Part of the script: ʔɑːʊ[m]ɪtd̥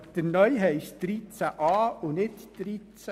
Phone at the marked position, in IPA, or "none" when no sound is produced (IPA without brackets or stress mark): n